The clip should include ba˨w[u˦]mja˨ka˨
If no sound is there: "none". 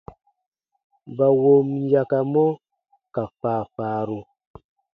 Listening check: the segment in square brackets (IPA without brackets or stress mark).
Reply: o˦